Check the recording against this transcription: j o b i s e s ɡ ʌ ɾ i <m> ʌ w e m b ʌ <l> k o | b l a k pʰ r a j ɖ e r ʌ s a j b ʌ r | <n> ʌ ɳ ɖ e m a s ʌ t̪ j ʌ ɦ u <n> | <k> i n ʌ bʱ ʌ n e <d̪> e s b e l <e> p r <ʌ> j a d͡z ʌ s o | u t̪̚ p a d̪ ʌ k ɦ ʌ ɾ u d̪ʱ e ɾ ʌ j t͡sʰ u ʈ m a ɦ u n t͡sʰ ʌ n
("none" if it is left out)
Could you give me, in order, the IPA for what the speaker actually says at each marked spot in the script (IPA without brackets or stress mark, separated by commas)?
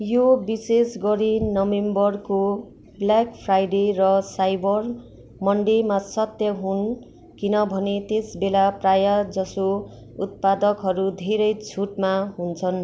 n, r, m, n, k, t̪, a, a